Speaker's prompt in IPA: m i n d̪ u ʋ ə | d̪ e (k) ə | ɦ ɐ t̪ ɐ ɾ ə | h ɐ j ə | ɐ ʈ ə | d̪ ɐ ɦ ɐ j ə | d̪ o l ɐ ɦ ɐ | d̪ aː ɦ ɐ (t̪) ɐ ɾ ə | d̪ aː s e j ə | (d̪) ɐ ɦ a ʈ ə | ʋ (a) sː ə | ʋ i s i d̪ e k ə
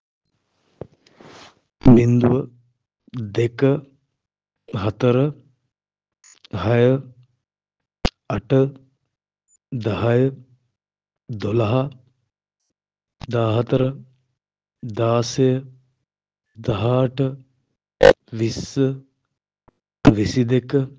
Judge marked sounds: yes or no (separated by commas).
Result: yes, yes, yes, no